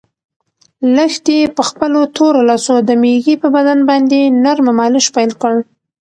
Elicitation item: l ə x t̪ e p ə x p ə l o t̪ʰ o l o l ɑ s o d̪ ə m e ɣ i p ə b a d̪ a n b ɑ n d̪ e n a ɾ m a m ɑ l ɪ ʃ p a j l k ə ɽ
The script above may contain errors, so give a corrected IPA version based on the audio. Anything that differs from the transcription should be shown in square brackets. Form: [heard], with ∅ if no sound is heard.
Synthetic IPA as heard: l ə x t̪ e p ə x p ə l o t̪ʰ o [ɾ] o l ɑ s o d̪ ə m e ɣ i p ə b a d̪ a n b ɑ n d̪ e n a ɾ m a m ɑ l ɪ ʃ p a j l k ə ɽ

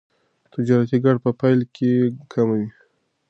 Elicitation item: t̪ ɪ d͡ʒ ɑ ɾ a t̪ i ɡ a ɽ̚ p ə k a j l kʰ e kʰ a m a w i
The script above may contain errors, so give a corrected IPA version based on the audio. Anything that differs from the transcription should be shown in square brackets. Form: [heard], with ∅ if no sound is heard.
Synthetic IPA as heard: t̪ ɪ d͡ʒ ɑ ɾ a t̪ i ɡ a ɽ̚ p ə [p] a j l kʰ e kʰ a m a w i

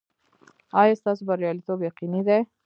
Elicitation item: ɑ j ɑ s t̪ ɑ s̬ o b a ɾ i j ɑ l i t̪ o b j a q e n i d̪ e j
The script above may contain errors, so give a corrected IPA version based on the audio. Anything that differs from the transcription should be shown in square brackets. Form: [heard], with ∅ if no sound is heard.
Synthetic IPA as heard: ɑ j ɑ s t̪ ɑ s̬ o b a ɾ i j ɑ l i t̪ o b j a q [i] n i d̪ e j

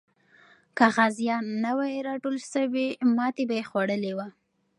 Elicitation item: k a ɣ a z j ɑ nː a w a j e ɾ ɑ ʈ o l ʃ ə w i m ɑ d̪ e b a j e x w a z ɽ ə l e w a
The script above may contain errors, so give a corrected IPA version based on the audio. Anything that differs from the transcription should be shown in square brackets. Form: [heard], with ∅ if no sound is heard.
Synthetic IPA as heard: k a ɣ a z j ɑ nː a w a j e ɾ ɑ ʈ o l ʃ ə w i m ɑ [t̪] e b a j e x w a [∅] ɽ ə l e w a

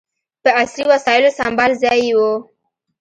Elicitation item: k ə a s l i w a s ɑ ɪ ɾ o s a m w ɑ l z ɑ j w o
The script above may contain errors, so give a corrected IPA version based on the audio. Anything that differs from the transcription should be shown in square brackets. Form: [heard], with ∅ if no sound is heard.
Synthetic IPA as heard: [p] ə a s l i w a s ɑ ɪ [l] o s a m [b] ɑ l z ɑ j w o

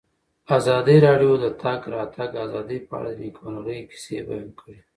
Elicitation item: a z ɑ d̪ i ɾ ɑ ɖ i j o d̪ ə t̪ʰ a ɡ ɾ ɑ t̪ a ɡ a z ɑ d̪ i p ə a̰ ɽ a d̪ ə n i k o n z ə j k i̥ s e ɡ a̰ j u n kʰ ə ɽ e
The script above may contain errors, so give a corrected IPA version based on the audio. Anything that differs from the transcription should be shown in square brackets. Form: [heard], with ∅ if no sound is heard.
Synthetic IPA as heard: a z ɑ d̪ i ɾ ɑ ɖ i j o d̪ ə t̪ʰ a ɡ ɾ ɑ t̪ a ɡ a z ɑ d̪ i p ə a̰ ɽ a d̪ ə n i k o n [ɣ] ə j k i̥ s e [b] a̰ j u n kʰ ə ɽ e

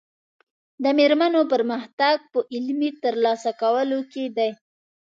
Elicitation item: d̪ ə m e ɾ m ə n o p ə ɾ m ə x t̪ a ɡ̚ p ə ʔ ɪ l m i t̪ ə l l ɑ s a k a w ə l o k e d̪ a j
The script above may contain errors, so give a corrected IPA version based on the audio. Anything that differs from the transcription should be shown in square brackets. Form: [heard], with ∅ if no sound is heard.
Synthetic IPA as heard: d̪ ə m e ɾ m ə n o p ə ɾ m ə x t̪ a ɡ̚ p ə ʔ ɪ l m i t̪ ə [ɾ] l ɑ s a k a w ə l o k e d̪ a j

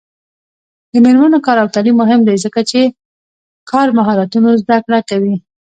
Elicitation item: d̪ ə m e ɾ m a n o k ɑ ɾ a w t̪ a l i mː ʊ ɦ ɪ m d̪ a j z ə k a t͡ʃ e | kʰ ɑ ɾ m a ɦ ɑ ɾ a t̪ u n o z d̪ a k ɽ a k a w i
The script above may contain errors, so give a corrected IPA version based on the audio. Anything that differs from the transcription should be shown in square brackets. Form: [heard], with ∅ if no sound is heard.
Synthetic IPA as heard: d̪ ə m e ɾ m a n o k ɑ ɾ a w t̪ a l i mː ʊ ɦ ɪ m d̪ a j z ə k a t͡ʃ e | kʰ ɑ ɾ m a ɦ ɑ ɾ a t̪ u n o z d̪ a k ɽ a k a w i

